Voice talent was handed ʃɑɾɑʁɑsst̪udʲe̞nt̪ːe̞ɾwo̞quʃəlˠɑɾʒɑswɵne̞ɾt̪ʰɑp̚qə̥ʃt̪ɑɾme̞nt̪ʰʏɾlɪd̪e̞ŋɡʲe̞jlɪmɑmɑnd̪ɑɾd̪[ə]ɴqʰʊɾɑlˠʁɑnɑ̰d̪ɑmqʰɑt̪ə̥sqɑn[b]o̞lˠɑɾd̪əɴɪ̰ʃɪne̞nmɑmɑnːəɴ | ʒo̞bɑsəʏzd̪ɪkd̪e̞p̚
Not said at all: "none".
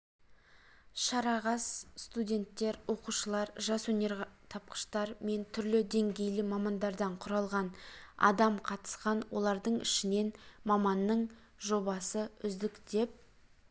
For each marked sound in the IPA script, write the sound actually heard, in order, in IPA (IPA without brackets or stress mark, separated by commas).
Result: ɑ, w